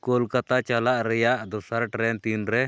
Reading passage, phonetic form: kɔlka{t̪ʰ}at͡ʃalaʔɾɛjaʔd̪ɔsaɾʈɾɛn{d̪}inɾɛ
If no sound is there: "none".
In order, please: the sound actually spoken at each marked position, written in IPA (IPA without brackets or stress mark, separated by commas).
t̪, t̪